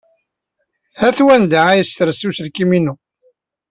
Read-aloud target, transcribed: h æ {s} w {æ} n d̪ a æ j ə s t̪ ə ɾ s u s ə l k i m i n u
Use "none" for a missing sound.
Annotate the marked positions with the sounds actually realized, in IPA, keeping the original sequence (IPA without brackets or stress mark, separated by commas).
θ, æ